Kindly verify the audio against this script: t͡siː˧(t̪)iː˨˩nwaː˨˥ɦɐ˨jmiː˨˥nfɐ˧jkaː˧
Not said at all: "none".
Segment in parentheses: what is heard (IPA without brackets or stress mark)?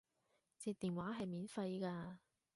t̪